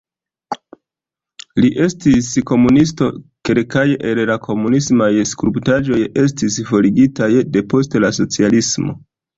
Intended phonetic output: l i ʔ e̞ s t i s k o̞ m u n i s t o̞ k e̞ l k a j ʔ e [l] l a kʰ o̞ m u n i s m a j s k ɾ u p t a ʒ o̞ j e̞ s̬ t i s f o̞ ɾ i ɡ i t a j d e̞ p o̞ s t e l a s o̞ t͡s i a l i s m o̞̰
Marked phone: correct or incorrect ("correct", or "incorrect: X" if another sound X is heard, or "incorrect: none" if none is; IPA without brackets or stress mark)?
correct